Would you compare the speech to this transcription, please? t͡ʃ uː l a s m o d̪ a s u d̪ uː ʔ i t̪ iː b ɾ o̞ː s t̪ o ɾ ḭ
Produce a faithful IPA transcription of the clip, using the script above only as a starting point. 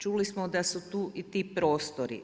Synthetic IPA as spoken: t͡ʃ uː l i s m o d̪ a s u t̪ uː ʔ i t̪ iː p ɾ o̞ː s t̪ o ɾ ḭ